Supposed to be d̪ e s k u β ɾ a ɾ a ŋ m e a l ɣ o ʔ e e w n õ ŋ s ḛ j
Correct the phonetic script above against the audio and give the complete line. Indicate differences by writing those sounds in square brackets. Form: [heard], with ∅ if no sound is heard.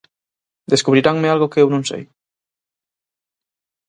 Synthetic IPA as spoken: d̪ e s k u β ɾ [i] ɾ a ŋ m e a l ɣ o [k] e e w n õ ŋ s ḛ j

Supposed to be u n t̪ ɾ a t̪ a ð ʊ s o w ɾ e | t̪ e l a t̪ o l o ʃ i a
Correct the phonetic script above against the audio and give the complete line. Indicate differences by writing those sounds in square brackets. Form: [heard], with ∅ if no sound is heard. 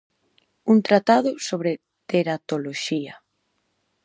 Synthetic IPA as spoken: u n t̪ ɾ a t̪ a ð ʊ s o [β] ɾ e | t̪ e [ɾ] a t̪ o l o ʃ i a

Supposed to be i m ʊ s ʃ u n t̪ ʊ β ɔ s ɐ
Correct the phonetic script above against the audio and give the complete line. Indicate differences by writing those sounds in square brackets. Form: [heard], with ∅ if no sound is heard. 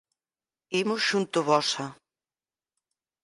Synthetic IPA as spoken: i m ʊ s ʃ u n t̪ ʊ β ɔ s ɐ

